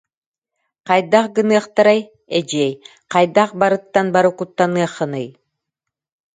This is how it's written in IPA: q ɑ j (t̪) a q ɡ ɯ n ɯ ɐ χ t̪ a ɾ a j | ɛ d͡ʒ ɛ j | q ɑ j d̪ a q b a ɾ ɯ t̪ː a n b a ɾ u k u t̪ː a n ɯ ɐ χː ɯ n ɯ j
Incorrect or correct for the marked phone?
incorrect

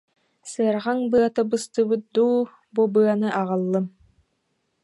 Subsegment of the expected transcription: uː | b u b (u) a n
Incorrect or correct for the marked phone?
incorrect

